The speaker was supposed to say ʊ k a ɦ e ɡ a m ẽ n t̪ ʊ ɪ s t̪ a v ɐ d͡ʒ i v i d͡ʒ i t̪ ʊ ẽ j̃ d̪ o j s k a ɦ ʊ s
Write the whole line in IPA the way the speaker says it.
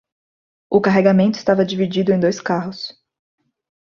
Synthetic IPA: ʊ k a ɦ e ɡ a m ẽ n t̪ ʊ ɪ s t̪ a v ɐ d͡ʒ i v i d͡ʒ i d̪ ʊ ẽ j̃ d̪ o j s k a ɦ ʊ s